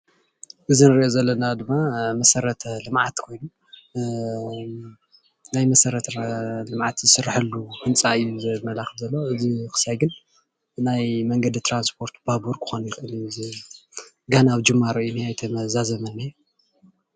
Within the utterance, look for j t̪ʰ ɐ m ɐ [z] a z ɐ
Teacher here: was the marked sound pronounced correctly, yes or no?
yes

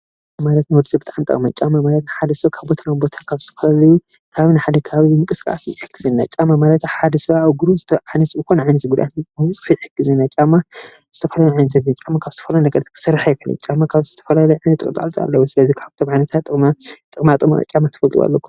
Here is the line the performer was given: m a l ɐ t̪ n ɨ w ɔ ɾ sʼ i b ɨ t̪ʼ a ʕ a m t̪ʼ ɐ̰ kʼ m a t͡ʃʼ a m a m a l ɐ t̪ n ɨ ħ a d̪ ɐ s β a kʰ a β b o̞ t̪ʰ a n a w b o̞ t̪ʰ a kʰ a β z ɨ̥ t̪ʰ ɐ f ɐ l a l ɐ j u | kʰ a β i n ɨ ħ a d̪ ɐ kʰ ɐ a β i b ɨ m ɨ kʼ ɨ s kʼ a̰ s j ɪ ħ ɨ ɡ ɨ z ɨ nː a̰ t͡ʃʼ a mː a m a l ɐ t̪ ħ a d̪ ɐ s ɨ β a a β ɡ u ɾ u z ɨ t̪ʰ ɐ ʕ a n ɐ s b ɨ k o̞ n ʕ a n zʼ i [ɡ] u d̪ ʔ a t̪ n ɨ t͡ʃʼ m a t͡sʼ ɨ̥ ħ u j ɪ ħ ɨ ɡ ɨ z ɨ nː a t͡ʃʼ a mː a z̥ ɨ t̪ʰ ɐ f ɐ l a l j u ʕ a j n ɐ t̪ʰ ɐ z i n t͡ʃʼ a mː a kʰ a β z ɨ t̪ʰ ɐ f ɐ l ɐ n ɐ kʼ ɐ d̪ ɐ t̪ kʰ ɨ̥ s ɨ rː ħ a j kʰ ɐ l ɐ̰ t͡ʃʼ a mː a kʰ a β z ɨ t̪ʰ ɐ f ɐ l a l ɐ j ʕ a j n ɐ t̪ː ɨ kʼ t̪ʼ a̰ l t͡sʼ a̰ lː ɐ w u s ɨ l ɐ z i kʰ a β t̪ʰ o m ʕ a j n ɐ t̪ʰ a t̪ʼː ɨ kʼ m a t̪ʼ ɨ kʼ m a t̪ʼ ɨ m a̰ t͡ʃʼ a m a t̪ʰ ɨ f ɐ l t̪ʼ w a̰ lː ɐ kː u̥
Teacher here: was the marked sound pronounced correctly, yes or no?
yes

